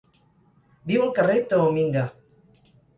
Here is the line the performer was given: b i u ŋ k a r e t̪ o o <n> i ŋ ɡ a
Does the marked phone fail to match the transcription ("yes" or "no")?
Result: yes